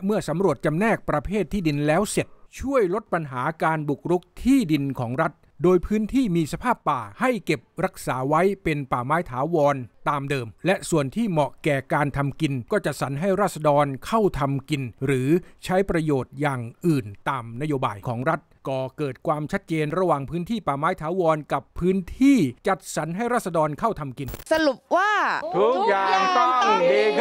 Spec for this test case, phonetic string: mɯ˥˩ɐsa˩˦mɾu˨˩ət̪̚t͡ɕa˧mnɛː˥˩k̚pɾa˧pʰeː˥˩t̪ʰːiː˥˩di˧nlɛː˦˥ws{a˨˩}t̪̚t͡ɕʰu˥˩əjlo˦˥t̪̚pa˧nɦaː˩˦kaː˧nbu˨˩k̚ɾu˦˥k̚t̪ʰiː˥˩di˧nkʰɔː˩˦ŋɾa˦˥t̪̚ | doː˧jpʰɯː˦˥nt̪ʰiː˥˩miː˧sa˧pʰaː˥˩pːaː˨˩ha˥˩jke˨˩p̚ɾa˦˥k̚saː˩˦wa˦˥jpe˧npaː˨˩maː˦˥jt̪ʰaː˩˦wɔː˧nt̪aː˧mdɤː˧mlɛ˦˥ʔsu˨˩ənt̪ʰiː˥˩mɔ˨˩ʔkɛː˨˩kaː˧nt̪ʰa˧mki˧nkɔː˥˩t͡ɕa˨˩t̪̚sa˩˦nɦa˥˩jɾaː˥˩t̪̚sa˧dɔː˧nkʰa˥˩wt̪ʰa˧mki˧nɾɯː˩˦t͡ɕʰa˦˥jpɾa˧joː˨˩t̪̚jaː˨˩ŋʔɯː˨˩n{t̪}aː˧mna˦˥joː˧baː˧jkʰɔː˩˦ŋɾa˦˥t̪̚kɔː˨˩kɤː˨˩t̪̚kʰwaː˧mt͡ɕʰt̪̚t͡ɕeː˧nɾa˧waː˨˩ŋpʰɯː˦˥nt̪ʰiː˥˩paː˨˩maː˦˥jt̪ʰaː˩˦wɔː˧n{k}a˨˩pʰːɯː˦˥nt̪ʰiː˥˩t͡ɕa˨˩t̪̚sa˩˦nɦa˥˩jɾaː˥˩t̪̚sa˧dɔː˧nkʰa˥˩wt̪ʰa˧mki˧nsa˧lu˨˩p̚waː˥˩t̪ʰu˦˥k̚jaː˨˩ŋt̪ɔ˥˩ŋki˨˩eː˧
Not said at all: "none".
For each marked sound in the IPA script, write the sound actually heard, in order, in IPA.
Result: e˨˩, t̪, k

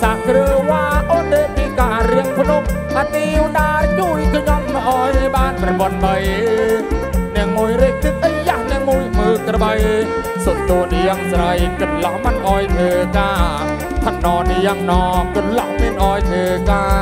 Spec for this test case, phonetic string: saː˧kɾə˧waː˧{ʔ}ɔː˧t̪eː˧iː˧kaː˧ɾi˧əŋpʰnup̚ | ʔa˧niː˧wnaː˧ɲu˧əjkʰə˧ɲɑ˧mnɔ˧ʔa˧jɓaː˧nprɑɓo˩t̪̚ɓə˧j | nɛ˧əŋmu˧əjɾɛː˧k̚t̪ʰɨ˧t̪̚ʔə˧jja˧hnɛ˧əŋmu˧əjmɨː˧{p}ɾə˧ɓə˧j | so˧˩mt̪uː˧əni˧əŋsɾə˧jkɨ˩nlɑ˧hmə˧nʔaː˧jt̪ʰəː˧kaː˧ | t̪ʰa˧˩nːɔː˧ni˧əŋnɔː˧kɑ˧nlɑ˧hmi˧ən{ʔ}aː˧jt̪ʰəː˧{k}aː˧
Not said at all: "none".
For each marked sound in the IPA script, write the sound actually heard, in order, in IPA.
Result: ʔ, k, ʔ, k

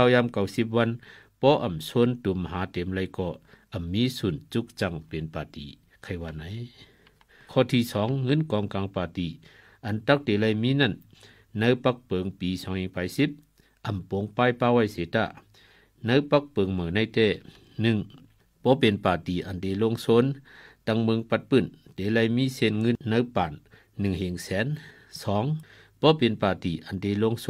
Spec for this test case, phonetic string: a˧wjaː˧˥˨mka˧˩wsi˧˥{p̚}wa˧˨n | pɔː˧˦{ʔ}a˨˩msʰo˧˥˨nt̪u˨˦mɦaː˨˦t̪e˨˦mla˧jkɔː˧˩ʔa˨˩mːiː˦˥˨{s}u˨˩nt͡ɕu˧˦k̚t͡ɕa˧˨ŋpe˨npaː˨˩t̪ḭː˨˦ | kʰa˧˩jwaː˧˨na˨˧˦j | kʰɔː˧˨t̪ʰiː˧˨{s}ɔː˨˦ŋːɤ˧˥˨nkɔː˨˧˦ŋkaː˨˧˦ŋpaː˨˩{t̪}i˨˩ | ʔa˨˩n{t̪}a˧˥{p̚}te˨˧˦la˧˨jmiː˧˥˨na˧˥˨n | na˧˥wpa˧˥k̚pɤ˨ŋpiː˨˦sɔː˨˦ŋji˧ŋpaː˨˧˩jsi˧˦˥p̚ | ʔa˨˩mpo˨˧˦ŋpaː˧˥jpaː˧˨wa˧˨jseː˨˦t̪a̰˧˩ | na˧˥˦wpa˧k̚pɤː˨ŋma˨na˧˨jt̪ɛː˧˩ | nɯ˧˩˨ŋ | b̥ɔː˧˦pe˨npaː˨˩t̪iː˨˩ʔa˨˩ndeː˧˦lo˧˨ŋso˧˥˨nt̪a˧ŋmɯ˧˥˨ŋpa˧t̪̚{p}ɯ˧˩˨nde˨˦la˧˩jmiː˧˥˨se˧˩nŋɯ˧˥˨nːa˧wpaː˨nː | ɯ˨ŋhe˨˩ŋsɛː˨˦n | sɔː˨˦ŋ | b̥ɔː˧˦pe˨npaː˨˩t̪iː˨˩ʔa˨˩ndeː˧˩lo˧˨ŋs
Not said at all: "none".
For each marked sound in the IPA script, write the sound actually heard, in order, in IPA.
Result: p̚, ʔ, s, s, t̪, t̪, k̚, p

